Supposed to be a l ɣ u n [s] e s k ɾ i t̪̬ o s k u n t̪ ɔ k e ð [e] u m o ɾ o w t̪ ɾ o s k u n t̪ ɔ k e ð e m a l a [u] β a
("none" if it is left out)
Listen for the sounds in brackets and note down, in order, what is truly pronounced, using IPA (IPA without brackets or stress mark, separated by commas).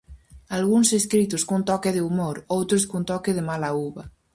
s, e, u